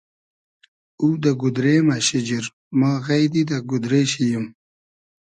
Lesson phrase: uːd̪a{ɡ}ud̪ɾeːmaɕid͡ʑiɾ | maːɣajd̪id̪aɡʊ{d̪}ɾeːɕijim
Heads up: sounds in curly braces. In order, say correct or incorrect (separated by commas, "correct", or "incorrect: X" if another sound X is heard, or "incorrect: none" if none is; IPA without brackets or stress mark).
correct, correct